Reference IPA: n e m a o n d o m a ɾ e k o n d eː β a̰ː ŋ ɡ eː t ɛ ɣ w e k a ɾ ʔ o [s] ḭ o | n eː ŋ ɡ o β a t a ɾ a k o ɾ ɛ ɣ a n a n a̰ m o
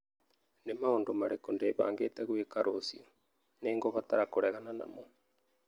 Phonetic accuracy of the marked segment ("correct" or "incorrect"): correct